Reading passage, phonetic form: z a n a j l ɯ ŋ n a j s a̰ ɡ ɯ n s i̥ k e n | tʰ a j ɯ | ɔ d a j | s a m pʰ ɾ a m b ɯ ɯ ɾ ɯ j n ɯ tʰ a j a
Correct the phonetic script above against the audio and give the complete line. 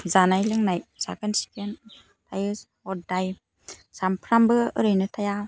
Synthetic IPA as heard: z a n a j l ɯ ŋ n a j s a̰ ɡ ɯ n s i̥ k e n | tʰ a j ɯ | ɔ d a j | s a m pʰ ɾ a m b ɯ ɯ ɾ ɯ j n ɯ tʰ a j a